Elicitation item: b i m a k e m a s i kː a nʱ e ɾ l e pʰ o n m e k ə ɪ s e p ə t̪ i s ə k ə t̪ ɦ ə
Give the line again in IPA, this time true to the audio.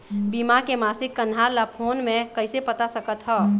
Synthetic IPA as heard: b i m a k e m a s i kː ə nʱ a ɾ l a pʰ o n m e k ə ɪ s e p ə t̪ a s ə k ə t̪ ɦ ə